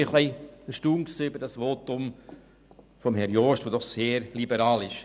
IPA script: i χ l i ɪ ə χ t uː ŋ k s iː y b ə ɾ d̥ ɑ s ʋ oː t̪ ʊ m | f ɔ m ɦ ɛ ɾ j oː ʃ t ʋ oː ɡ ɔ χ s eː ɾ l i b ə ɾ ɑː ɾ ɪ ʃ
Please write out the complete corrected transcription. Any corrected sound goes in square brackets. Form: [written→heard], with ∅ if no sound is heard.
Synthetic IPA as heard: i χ l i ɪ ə [χ→ʃ] t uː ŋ k s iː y b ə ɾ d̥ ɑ s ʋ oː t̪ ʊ m | f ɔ m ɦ ɛ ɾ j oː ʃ t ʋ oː [ɡ→d] ɔ χ s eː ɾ l i b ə ɾ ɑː [ɾ→l] ɪ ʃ

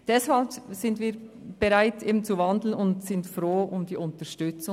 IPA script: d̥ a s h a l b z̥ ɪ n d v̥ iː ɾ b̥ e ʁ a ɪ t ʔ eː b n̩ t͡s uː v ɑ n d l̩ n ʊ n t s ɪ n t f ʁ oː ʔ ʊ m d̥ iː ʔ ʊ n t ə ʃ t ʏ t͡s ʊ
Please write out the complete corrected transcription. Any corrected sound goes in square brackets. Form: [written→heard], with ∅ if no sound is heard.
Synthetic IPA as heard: d̥ [a→ɛ] s h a l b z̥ ɪ n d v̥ iː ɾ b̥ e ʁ a ɪ t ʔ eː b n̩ t͡s [uː→u] v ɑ n d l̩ n ʊ n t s ɪ n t f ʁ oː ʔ ʊ m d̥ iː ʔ ʊ n t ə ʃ t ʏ t͡s ʊ

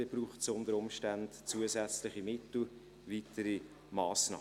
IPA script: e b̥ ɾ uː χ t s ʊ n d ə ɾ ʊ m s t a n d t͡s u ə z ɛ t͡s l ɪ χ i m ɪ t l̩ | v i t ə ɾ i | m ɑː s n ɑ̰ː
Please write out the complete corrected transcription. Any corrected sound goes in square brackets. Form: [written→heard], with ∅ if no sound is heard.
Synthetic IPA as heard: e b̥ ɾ uː χ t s ʊ n d ə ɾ ʊ m [s→ʃ] t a n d t͡s u ə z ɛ t͡s l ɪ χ i m ɪ t l̩ | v i t ə ɾ i | m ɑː s n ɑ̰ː

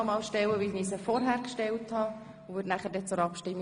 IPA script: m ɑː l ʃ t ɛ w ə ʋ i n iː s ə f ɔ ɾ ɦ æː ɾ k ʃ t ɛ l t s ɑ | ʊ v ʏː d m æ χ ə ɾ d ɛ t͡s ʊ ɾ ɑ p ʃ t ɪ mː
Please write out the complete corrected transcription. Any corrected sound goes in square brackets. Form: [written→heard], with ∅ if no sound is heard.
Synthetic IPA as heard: m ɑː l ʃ t ɛ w ə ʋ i n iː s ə f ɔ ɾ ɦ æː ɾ k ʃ t ɛ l t [s→h] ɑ | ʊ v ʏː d [m→n] æ χ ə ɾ d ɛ t͡s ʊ ɾ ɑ p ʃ t ɪ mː

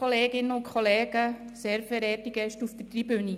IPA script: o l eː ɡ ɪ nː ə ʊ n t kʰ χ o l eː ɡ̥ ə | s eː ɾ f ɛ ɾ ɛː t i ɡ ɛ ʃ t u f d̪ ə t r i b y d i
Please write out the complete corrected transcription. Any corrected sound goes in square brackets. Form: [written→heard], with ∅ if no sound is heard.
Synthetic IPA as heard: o l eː ɡ ɪ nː ə ʊ n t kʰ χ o l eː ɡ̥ ə | s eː ɾ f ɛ ɾ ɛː t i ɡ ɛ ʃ t u f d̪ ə t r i b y [d→n] i

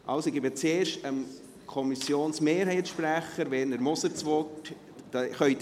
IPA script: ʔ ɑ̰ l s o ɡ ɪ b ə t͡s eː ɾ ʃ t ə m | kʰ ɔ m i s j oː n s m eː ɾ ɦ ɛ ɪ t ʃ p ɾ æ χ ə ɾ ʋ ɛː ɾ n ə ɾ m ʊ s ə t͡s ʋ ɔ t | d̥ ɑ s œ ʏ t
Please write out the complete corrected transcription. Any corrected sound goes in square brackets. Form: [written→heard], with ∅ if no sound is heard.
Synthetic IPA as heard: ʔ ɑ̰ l s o ɡ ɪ b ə t͡s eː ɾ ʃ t ə m | kʰ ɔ m i s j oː n s m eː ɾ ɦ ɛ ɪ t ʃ p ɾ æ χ ə ɾ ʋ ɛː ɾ n ə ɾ m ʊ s ə t͡s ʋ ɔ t | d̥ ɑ [s→χ] œ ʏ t

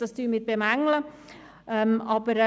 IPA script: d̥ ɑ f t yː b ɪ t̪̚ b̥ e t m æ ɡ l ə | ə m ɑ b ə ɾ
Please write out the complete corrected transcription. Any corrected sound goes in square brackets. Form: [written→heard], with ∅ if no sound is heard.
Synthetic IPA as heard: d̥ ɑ [f→s] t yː [b→m] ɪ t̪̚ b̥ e [t→∅] m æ [ɡ→ŋ] l ə | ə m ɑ b ə ɾ

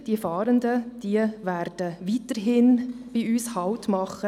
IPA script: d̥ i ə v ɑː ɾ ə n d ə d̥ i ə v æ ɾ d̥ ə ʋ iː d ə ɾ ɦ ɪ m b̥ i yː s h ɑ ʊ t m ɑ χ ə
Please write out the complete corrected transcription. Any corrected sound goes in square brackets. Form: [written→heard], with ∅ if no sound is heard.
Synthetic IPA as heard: d̥ i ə [v→f] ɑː ɾ ə n d ə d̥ i ə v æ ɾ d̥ ə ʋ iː [d→t] ə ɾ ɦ ɪ [m→n] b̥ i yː s h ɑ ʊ t m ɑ χ ə

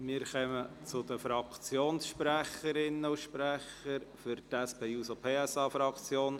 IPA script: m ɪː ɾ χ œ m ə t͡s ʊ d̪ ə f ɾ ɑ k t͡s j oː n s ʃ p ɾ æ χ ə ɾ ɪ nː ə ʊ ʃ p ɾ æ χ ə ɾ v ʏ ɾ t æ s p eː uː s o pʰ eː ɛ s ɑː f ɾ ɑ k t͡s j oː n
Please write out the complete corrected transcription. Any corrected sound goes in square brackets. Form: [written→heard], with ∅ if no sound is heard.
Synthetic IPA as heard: m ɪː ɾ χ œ m ə t͡s ʊ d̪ ə f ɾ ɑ k t͡s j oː n s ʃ p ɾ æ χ ə ɾ ɪ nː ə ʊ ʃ p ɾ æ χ ə ɾ [v→f] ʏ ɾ t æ s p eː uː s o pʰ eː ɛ s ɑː f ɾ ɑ k t͡s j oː n

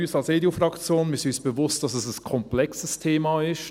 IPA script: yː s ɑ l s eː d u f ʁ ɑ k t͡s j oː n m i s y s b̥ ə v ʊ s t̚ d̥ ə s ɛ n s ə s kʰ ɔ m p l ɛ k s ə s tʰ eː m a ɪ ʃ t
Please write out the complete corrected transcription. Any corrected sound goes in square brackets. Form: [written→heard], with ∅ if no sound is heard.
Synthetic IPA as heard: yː s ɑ l s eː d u f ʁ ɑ k t͡s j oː n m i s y s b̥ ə v ʊ s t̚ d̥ [ə→ɑ] s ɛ [n→∅] s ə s kʰ ɔ m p l ɛ k s ə s tʰ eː m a ɪ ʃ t

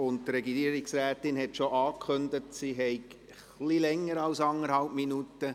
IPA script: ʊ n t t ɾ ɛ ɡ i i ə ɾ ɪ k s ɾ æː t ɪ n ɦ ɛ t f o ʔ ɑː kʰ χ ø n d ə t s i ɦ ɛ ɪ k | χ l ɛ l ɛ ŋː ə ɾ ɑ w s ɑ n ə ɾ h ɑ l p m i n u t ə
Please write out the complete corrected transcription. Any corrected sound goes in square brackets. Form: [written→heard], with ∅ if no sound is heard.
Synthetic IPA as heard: ʊ n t t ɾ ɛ ɡ i i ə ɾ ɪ k s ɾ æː t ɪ n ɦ ɛ t [f→ʃ] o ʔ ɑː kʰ χ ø n d ə t s i ɦ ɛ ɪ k | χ l [ɛ→i] l ɛ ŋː ə ɾ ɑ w s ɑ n ə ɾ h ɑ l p m i n u t ə

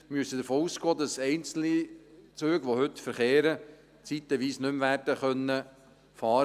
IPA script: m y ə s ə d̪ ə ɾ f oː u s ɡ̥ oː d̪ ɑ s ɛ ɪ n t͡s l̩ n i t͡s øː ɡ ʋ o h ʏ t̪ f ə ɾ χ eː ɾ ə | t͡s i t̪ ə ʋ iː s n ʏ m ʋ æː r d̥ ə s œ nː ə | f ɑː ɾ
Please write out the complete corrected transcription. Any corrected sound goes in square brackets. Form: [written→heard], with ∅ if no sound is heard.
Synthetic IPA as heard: m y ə s ə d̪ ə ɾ f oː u s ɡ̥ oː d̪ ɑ s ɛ ɪ n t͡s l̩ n i t͡s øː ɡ ʋ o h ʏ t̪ f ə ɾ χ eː ɾ ə | t͡s i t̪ ə ʋ iː s n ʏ m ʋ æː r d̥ ə [s→χ] œ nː ə | f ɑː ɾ

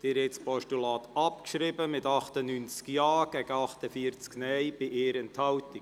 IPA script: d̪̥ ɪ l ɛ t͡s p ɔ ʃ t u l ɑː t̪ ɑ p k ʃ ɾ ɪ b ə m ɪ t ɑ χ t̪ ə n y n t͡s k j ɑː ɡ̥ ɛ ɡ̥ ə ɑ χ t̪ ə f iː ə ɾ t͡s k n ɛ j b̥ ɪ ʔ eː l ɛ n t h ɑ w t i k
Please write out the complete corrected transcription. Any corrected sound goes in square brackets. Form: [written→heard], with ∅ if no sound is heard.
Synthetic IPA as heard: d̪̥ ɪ [l→ɾ] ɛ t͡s p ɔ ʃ t u l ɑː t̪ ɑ p k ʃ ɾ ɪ b ə m ɪ t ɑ χ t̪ ə n y n t͡s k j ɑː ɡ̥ ɛ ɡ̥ ə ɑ χ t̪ ə f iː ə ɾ t͡s k n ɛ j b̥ ɪ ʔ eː [l→ɾ] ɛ n t h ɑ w t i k

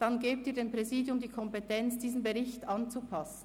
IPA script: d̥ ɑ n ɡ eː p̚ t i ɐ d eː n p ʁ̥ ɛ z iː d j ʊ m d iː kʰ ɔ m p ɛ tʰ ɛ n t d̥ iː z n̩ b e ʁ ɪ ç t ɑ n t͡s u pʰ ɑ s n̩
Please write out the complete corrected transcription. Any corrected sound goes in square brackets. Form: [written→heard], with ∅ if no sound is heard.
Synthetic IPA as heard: d̥ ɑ n ɡ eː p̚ t [i→iː] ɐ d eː n p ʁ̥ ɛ z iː d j ʊ m d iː kʰ ɔ m p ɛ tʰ ɛ n [t→t͡s] d̥ iː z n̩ b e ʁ ɪ ç t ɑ n t͡s u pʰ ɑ s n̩

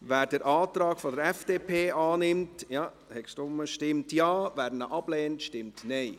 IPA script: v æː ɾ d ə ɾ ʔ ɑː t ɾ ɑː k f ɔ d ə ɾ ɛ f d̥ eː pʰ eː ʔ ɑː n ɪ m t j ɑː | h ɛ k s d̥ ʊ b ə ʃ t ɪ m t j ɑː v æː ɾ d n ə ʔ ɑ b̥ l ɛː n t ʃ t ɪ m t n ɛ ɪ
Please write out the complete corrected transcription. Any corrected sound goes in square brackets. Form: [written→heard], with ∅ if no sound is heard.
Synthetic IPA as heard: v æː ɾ d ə ɾ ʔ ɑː t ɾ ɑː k f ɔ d ə ɾ ɛ f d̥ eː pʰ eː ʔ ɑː n ɪ m t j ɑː | h ɛ k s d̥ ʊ [b→m] ə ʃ t ɪ m t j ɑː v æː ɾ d n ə ʔ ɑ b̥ l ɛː n t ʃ t ɪ m t n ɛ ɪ

